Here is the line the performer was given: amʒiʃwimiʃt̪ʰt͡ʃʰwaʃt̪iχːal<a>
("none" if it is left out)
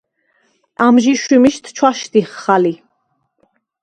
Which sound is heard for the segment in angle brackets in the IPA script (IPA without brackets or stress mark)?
i